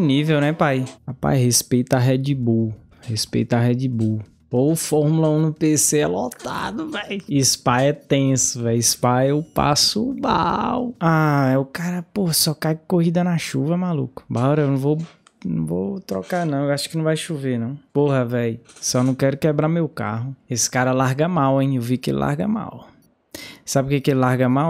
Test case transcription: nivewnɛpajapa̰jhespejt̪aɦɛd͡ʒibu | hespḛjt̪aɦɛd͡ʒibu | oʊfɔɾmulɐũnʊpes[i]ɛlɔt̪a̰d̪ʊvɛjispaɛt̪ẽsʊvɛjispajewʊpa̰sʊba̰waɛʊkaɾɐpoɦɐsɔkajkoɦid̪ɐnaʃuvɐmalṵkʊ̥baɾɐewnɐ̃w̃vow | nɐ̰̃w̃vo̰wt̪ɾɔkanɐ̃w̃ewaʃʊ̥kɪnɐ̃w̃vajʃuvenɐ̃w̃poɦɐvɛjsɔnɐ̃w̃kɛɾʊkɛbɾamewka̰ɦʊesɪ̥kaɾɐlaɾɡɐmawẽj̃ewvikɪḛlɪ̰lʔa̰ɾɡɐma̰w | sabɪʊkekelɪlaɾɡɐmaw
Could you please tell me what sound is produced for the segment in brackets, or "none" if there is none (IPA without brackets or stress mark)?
e